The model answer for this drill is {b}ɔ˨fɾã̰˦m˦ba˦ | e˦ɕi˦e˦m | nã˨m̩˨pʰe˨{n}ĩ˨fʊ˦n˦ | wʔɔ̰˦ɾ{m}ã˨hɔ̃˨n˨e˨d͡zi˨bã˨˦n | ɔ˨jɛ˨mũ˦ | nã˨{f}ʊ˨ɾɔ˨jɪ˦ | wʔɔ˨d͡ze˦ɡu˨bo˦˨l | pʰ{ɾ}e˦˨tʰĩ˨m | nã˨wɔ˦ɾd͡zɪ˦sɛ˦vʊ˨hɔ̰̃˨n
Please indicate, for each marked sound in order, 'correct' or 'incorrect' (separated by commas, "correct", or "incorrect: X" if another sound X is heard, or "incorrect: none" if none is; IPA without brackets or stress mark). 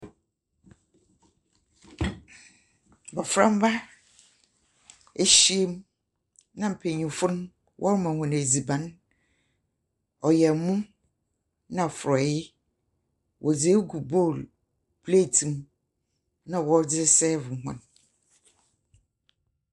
correct, incorrect: ɲ, correct, correct, incorrect: l